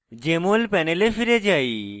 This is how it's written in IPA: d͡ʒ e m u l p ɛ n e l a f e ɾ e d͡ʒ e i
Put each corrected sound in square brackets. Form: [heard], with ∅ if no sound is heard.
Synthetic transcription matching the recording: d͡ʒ e m [o] l p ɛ n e l [e] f [i] ɾ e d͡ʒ [a] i